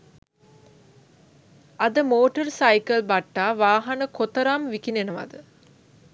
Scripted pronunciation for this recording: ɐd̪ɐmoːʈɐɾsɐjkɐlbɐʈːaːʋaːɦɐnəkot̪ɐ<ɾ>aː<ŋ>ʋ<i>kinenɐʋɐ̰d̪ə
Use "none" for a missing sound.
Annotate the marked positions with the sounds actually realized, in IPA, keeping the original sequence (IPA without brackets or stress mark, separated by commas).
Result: ɾ, m, i